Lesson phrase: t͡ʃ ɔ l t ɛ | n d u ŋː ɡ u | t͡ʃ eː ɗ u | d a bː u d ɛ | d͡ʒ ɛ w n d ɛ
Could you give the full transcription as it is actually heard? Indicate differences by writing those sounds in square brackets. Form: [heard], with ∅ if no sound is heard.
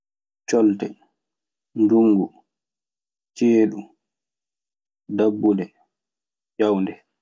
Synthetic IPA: t͡ʃ ɔ l t ɛ | n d u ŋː ɡ u | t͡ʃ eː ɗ u | d a bː u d ɛ | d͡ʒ [a] w n d ɛ